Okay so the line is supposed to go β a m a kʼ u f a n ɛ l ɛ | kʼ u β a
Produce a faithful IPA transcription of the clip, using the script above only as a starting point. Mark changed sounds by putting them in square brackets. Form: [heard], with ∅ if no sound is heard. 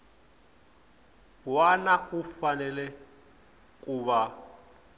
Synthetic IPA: [w] a [n] a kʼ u f a n ɛ l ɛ | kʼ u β a